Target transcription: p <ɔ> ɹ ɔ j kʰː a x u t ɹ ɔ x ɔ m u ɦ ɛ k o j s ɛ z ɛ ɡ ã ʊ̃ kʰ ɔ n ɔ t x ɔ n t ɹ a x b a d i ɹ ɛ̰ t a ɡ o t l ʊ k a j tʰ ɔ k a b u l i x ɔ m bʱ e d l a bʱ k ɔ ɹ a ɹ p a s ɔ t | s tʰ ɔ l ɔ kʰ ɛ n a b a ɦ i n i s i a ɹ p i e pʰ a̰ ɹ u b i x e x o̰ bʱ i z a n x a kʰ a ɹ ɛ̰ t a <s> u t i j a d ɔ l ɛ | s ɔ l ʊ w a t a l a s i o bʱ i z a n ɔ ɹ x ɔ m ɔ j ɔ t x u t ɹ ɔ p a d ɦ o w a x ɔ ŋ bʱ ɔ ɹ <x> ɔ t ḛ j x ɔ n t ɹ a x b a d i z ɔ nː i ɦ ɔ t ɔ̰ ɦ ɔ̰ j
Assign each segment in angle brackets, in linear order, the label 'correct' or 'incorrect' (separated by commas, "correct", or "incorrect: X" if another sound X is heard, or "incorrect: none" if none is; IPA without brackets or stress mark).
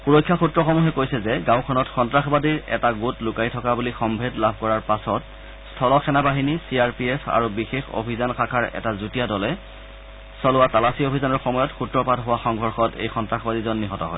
incorrect: u, incorrect: z, correct